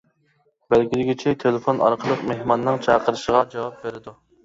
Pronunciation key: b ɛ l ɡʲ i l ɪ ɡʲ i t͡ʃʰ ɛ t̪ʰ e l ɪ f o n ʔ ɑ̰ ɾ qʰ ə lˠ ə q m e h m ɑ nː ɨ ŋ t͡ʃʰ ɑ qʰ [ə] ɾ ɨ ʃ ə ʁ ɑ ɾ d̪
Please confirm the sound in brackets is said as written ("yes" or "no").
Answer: yes